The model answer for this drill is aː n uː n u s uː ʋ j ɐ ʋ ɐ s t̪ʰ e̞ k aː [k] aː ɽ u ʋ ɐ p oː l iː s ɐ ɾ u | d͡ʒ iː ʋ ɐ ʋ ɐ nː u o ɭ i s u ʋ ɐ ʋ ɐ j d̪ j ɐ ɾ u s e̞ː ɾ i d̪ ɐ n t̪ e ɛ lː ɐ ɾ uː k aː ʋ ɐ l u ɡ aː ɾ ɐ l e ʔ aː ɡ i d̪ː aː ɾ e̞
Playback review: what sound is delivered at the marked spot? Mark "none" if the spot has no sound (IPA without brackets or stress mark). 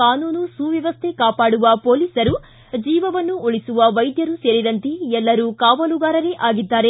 p